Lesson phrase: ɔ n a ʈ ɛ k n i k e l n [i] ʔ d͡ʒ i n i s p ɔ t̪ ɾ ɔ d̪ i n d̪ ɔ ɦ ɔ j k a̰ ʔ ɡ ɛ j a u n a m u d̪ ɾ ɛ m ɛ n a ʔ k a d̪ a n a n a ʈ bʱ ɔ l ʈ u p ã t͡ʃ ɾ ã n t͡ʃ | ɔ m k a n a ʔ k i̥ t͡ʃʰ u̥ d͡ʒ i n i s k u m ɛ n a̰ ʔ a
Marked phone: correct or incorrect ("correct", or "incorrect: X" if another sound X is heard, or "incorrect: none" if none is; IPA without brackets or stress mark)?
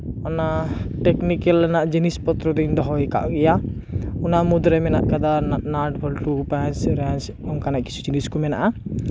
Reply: incorrect: a